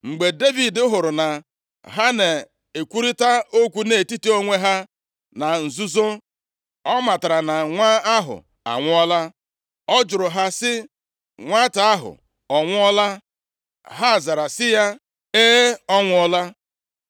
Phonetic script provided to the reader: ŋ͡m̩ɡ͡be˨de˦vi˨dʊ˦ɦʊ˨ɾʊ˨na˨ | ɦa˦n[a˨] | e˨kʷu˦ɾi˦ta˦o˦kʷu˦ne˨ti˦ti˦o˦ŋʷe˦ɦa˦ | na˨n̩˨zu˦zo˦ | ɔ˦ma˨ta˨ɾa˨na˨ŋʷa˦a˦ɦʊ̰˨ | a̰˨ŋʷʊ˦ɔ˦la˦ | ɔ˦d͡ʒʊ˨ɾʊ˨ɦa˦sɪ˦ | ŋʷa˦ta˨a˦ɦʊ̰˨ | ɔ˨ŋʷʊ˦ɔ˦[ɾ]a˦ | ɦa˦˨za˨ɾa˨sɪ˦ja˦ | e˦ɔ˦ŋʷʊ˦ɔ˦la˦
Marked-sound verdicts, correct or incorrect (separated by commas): incorrect, incorrect